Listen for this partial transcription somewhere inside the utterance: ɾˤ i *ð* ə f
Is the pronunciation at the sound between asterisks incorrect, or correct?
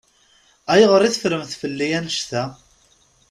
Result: incorrect